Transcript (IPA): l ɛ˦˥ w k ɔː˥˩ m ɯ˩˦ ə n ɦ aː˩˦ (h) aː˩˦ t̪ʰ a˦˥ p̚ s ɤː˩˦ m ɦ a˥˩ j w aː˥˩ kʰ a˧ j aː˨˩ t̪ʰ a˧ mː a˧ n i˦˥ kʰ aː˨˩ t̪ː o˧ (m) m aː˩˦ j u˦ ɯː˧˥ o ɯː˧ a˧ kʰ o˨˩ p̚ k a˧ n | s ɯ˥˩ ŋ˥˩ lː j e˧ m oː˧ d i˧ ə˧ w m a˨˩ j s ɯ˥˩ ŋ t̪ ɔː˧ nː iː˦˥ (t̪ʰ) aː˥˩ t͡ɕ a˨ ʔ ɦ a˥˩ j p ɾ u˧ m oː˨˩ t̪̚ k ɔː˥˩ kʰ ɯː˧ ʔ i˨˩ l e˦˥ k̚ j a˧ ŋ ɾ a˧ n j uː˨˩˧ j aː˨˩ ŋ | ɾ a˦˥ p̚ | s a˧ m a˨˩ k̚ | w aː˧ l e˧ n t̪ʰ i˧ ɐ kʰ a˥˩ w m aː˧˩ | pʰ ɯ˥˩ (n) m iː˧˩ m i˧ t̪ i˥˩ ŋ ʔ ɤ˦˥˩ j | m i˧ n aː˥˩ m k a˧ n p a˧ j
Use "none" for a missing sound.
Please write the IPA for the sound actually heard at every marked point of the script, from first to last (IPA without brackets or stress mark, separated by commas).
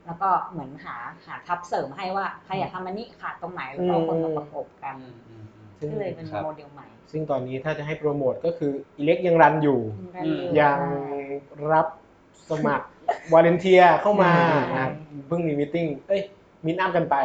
h, ŋ, t̪ʰ, ŋ